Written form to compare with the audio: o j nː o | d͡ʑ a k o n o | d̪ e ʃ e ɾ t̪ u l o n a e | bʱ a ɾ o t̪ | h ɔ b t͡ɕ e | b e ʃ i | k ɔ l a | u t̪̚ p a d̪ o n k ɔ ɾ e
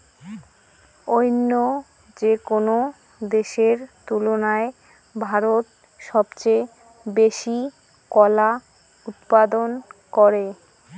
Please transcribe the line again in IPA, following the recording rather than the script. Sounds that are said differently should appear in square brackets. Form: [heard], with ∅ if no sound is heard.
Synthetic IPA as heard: o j nː o | d͡ʑ [e] k o n o | d̪ e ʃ e ɾ t̪ u l o n a e | bʱ a ɾ o t̪ | [ʃ] ɔ b t͡ɕ e | b e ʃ i | k ɔ l a | u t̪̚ p a d̪ o n k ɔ ɾ e